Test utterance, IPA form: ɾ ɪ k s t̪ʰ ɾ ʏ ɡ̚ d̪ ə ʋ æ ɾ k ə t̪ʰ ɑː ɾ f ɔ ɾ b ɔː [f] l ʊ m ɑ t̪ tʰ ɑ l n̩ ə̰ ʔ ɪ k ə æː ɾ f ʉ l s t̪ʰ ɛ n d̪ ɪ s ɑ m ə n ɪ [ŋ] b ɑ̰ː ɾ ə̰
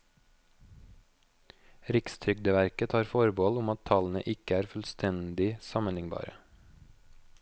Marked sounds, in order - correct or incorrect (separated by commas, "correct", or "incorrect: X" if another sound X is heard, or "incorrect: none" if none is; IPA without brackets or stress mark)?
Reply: incorrect: none, correct